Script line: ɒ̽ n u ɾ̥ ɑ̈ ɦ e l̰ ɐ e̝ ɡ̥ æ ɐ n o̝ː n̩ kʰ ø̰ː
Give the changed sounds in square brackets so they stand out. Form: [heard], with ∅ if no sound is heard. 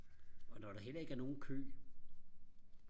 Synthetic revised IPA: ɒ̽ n [ɒ] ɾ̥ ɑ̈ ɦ e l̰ ɐ e̝ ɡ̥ æ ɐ n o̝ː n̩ kʰ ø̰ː